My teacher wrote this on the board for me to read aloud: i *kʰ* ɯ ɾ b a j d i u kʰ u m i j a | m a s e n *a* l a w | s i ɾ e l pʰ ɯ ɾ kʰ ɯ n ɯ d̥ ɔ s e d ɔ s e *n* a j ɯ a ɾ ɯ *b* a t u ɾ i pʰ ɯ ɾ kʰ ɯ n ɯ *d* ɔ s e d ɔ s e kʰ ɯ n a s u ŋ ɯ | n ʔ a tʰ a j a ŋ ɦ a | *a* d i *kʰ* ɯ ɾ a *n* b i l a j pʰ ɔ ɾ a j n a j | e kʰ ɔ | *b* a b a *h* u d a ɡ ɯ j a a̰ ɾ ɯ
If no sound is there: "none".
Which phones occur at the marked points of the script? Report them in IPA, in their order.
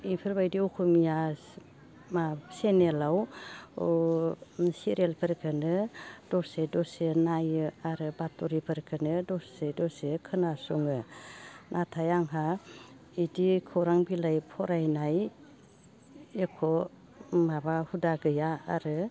pʰ, e, n, b, d, i, kʰ, ŋ, m, h

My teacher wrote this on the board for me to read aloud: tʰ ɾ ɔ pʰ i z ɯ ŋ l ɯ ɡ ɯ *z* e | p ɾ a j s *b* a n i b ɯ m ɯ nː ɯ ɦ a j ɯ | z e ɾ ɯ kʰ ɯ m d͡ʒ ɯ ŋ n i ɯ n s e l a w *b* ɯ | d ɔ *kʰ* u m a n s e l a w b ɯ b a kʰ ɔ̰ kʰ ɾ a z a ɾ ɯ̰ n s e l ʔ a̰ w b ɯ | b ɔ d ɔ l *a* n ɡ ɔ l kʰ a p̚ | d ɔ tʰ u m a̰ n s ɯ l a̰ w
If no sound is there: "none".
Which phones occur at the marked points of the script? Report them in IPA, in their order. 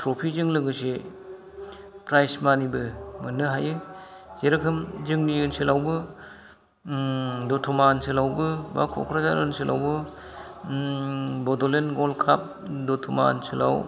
s, m, b, tʰ, e

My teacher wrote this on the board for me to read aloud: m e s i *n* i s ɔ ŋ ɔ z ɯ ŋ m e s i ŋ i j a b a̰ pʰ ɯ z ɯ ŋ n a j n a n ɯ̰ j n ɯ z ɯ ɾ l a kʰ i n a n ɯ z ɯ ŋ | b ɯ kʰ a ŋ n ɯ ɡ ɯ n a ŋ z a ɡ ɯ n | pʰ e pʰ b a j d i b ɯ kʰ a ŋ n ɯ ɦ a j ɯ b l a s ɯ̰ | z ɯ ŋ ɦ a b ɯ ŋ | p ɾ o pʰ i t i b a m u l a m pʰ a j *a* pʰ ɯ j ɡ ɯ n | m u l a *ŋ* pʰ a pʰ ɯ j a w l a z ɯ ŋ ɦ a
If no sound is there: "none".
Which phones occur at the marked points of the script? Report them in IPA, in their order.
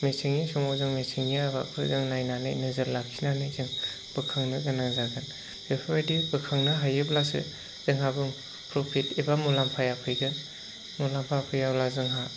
ŋ, a, m

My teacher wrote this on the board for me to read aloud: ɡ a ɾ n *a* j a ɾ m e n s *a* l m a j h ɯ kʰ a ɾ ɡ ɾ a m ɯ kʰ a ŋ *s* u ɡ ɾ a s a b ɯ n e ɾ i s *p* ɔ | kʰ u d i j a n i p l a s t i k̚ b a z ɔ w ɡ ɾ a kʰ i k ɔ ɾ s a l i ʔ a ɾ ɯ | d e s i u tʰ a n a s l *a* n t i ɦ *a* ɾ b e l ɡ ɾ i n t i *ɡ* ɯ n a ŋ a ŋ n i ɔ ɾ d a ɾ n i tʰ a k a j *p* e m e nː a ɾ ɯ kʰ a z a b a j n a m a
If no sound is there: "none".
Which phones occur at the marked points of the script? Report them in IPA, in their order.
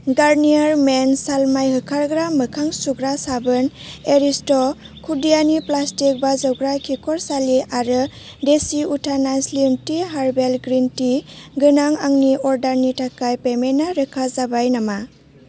i, a, s, t, i, a, ɡ, p

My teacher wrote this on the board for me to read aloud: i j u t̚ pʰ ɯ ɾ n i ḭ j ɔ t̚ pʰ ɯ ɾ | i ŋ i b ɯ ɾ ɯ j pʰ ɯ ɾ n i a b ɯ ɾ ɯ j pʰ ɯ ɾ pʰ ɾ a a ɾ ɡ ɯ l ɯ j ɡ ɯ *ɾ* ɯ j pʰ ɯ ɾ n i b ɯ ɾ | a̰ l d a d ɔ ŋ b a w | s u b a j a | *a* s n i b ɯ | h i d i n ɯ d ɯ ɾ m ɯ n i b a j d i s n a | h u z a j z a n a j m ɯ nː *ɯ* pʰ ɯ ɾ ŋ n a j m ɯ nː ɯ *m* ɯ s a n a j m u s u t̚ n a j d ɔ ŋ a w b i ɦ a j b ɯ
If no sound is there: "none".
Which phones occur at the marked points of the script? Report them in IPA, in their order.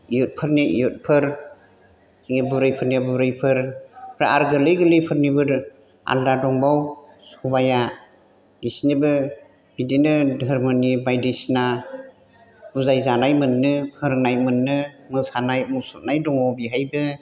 l, i, ɯ, m

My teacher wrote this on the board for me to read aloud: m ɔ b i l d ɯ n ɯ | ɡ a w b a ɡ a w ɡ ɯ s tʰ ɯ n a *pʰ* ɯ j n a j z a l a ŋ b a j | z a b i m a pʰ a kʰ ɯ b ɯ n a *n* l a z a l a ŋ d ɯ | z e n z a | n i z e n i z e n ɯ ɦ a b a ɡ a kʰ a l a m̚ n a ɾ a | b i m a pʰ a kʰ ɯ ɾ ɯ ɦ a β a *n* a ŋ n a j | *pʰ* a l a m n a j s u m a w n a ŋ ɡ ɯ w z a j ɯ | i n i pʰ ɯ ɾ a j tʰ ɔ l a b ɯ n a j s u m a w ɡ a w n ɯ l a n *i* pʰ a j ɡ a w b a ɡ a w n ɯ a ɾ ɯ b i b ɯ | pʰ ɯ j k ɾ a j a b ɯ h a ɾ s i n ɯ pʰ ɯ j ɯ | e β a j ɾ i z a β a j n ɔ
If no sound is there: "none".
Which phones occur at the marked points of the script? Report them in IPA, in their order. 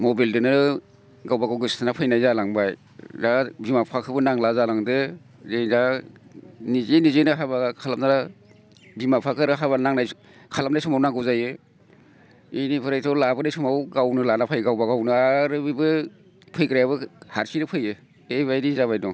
pʰ, ŋ, n, kʰ, a

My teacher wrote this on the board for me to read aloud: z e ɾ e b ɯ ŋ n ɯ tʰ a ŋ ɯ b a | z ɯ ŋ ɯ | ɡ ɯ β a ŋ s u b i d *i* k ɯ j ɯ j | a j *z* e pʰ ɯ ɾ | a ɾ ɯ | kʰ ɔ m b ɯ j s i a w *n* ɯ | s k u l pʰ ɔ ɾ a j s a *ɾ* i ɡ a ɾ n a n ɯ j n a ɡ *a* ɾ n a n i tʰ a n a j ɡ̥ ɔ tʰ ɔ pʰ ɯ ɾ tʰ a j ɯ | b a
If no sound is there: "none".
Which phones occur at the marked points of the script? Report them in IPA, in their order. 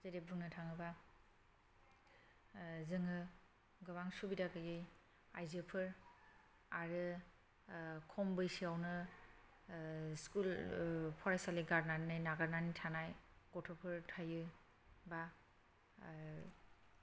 a, z, n, l, a

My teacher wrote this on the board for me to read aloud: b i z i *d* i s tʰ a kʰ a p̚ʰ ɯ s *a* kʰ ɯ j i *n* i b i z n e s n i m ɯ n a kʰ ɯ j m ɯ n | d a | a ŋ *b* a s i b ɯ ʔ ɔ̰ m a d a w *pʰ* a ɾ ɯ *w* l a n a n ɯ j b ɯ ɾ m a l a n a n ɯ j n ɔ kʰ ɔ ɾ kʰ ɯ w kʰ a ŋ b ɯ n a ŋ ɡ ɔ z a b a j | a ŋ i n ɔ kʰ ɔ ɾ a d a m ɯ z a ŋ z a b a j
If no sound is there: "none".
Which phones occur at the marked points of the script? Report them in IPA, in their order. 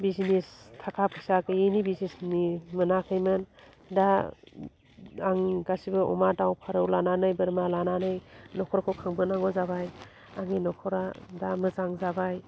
n, a, n, ɡ, pʰ, w

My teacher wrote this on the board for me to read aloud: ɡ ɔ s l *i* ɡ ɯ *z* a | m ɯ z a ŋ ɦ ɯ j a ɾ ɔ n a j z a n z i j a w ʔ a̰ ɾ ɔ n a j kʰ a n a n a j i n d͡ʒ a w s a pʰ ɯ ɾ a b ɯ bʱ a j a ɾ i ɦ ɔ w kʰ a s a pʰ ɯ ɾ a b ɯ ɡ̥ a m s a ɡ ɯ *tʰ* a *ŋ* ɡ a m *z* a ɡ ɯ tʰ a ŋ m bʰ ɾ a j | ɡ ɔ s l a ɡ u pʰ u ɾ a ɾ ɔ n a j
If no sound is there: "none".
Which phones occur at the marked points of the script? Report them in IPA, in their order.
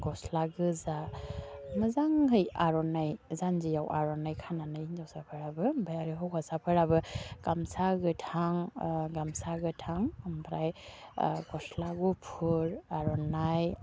a, z, tʰ, ŋ, s

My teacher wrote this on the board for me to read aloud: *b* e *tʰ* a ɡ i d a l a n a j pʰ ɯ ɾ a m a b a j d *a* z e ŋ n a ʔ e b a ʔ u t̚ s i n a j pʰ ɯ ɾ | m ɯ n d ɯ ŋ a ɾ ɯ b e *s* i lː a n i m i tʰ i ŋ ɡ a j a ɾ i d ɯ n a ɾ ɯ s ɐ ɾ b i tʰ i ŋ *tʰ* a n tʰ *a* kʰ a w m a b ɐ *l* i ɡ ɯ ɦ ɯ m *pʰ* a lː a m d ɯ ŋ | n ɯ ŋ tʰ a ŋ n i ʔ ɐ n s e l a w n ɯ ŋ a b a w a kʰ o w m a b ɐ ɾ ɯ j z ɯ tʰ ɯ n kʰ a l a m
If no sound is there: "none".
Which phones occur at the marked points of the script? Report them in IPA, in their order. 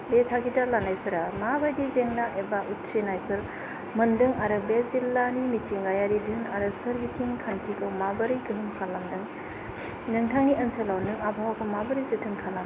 b, tʰ, i, z, kʰ, i, ɾ, kʰ

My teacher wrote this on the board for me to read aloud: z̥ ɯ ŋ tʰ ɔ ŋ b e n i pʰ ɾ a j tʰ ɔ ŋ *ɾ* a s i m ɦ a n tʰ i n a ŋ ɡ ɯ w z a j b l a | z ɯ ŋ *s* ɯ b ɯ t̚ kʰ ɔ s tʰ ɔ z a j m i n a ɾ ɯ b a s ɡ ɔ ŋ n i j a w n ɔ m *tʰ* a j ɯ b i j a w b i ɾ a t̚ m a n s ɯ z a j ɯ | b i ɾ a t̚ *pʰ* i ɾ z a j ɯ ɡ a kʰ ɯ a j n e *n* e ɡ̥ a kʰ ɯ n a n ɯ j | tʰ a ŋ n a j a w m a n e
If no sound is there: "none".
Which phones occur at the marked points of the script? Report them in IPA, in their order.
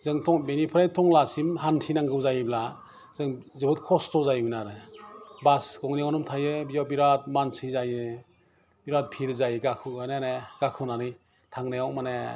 l, z, tʰ, pʰ, n

